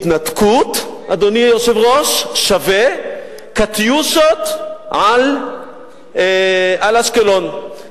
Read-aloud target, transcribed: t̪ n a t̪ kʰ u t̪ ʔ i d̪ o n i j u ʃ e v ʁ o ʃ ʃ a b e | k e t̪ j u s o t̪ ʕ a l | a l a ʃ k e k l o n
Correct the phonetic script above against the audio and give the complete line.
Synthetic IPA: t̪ n a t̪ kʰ u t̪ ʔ a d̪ o n i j o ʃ e v ʁ o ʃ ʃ a v e | k a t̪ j u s o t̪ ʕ a l | a l a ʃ k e l o n